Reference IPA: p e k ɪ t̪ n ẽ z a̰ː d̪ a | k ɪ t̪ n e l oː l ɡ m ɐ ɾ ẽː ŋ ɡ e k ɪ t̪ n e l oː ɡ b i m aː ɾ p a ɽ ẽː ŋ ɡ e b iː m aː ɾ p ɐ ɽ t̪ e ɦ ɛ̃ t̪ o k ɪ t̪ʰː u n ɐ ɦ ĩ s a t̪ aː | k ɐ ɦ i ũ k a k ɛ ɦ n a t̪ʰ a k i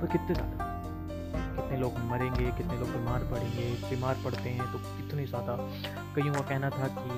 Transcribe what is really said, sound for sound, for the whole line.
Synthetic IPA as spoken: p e k ɪ t̪ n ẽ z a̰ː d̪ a | k ɪ t̪ n e l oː ɡ m ɐ ɾ ẽː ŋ ɡ e k ɪ t̪ n e l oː ɡ b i m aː ɾ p ɐ ɽ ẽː ŋ ɡ e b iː m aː ɾ p ɐ ɽ t̪ e ɦ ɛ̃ t̪ o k ɪ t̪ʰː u n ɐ ɦ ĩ s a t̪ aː | k ɐ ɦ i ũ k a k ɛ ɦ n a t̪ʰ a k i